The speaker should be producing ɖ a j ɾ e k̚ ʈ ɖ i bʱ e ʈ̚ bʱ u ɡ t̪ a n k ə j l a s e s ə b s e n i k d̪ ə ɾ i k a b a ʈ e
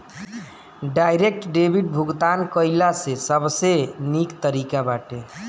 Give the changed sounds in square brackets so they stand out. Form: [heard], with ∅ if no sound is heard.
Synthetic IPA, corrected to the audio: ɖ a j ɾ e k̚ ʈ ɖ [e] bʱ [i] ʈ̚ bʱ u ɡ t̪ a n k ə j l a s e s ə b s e n i k [t̪] ə ɾ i k a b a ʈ e